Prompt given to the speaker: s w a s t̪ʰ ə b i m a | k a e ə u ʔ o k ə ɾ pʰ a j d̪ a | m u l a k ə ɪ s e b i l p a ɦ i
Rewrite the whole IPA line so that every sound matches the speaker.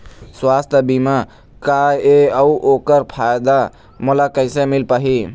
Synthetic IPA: s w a s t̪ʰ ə b i m a | k a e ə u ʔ o k ə ɾ pʰ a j d̪ a | m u l a k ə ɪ s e m i l p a ɦ i